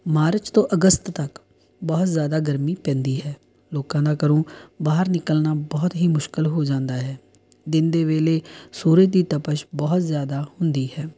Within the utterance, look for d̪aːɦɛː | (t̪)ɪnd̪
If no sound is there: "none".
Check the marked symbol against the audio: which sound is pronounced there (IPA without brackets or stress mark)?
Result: d̪